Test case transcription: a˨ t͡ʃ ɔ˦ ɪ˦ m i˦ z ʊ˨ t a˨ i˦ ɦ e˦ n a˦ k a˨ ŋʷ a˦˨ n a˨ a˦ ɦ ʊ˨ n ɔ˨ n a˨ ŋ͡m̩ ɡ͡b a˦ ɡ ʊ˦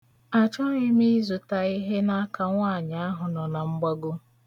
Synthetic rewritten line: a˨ t͡ʃ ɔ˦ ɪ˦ m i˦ z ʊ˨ t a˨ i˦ ɦ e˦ n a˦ k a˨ ŋʷ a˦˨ ɲ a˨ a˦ ɦ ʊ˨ n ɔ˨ n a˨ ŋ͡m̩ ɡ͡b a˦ ɡ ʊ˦